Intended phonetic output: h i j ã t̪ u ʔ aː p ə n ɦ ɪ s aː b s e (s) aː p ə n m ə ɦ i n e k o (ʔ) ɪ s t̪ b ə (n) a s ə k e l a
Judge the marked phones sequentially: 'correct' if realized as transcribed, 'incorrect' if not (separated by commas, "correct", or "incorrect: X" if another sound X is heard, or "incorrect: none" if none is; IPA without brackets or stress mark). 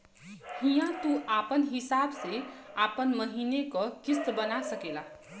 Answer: incorrect: none, incorrect: k, correct